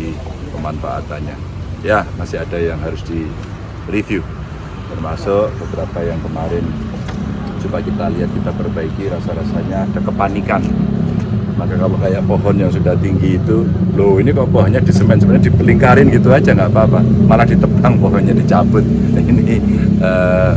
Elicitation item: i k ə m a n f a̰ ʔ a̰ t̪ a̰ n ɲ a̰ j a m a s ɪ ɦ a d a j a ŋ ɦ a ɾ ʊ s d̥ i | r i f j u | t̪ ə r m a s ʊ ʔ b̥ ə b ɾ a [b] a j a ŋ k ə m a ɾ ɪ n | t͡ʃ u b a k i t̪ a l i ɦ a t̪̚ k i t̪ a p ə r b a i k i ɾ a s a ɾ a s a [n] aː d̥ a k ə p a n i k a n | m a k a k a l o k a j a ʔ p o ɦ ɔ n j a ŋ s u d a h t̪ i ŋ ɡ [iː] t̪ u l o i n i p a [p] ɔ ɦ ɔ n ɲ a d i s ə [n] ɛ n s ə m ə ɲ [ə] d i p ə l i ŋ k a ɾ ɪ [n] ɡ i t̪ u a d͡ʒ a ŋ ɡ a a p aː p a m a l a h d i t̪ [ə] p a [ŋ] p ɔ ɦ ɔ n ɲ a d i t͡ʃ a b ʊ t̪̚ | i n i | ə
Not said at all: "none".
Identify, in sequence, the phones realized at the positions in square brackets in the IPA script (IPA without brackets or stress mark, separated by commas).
p, ɲ, iː, p, m, a, n, ə, ŋ